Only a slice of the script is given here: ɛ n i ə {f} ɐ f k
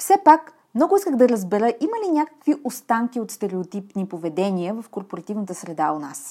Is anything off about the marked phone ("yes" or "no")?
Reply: yes